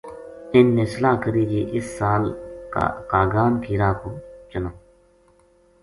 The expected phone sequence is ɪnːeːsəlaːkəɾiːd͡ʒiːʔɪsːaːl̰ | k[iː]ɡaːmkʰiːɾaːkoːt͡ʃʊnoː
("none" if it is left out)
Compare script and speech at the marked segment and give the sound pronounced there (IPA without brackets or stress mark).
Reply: aː